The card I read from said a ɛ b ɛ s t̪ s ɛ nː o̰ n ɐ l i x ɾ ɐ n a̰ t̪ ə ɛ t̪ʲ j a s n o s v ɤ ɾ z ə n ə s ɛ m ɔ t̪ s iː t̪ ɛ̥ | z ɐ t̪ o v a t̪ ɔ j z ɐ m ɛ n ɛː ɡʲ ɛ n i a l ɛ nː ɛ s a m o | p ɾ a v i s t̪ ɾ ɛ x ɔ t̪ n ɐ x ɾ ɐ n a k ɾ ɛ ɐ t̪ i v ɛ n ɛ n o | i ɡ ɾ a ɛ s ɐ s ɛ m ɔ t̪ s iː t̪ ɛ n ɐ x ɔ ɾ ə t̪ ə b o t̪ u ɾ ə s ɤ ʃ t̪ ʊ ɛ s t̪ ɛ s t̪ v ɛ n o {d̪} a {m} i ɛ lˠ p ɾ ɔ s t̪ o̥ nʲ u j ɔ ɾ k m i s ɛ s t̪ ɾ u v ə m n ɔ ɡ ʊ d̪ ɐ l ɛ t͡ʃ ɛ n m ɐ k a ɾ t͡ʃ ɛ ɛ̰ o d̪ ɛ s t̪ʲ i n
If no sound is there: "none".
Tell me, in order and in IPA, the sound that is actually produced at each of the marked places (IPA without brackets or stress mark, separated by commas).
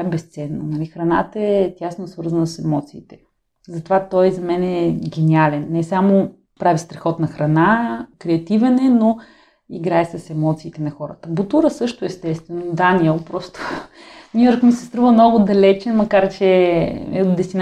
d̪, n